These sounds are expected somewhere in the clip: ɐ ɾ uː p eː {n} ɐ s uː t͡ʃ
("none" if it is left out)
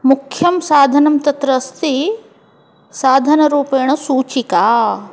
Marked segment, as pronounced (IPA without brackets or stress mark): ɳ